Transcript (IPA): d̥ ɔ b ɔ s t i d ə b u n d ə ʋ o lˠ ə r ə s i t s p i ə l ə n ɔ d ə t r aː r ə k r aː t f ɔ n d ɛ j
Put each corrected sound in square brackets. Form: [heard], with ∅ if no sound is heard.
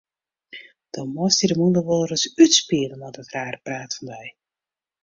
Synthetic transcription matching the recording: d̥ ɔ [m] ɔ s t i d ə [m] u n d ə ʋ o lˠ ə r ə s [y] t s p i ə l ə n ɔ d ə t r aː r ə [p] r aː t f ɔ n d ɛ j